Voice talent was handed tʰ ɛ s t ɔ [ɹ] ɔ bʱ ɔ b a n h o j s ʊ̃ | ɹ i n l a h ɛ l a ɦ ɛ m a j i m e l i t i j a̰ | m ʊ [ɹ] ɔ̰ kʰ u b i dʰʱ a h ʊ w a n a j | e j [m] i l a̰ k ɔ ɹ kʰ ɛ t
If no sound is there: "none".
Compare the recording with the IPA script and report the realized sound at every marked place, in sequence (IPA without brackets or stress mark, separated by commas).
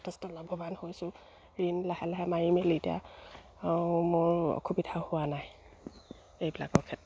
l, ɹ, b